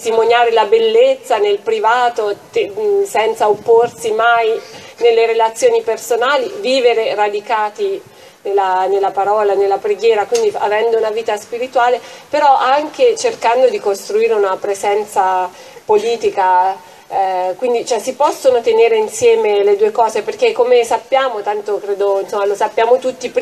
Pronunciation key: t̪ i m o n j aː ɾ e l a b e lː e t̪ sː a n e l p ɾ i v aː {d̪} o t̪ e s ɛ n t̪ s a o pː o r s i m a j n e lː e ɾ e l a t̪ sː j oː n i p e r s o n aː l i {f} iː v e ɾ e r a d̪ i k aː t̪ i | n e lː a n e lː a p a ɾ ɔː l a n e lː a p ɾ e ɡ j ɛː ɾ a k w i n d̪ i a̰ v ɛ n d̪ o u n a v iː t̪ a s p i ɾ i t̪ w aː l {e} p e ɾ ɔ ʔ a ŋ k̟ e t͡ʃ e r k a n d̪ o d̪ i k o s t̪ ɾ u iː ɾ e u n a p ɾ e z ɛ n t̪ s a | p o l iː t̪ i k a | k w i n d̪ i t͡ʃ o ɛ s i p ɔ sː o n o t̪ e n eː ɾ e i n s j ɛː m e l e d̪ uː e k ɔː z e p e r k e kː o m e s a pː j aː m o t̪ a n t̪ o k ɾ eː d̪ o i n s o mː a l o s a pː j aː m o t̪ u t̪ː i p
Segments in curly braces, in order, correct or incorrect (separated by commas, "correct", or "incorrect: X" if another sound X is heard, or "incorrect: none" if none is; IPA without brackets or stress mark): incorrect: t̪, incorrect: v, correct